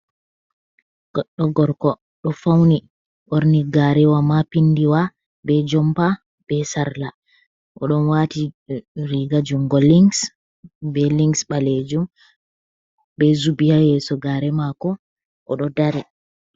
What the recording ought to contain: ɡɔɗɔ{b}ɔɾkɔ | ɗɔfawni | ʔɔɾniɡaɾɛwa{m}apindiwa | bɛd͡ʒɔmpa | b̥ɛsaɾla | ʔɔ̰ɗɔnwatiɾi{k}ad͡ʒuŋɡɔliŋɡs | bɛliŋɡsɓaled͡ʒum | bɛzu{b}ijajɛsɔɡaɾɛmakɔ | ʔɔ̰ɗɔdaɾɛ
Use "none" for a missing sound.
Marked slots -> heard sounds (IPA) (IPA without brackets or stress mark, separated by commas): ɡ, m, ɡ, b